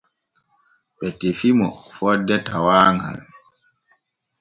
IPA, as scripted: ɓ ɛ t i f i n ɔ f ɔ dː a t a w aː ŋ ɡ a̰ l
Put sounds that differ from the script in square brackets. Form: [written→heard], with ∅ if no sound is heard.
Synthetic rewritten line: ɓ ɛ t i f i [n→m] ɔ f ɔ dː [a→ɛ] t a w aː ŋ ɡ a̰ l